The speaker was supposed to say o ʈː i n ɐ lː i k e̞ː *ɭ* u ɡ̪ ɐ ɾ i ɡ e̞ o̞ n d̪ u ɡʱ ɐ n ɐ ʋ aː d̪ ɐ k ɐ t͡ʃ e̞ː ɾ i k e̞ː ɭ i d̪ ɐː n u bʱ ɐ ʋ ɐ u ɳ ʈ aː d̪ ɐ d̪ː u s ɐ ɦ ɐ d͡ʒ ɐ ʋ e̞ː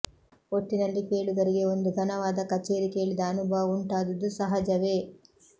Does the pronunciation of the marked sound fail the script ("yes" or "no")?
no